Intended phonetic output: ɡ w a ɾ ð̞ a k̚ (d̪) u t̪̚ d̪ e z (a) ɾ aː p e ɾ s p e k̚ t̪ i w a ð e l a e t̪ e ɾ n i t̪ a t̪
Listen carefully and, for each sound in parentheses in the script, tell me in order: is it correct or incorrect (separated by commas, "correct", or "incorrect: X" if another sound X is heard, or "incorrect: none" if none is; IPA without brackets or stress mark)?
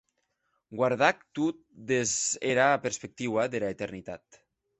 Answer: incorrect: t̪, incorrect: e